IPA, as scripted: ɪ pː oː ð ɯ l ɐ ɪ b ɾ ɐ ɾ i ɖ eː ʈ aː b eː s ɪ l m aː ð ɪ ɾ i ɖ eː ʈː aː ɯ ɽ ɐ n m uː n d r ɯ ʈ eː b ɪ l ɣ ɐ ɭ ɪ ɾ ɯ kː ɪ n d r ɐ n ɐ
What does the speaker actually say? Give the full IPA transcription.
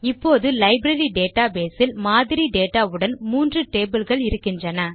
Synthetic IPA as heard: ɪ pː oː ð ɯ l ɐ ɪ b ɾ ɐ ɾ i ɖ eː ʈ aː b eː s ɪ l m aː ð ɪ ɾ i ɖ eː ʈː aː ɯ ɽ ɐ n m uː n d r ɯ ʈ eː b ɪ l ɣ ɐ ɭ ɪ ɾ ɯ kː ɪ n d r ɐ n ɐ